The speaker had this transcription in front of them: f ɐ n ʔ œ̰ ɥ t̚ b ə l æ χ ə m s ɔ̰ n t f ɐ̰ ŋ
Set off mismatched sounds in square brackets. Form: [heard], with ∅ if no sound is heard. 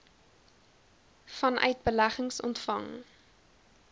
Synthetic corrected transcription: f ɐ n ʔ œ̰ ɥ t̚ b ə l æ χ ə [ŋ] s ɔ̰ n t f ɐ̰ ŋ